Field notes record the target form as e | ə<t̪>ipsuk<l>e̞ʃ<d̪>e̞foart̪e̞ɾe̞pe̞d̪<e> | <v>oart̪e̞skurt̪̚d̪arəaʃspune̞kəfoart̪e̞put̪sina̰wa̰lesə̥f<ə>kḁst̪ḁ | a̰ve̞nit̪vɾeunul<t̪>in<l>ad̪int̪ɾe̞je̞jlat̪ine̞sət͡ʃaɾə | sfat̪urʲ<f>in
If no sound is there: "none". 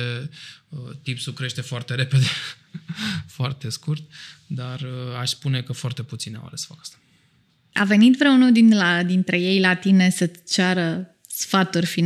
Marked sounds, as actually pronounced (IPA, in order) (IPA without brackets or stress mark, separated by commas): t̪, ɾ, t̪, e, f, a, d̪, l, f